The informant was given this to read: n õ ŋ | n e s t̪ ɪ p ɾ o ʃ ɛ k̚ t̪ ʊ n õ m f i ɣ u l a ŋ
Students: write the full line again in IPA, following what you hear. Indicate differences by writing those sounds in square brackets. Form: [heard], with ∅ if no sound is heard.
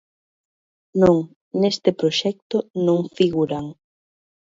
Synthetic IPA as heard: n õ ŋ | n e s t̪ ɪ p ɾ o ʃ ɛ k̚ t̪ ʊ n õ [ŋ] f i ɣ u [ɾ] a ŋ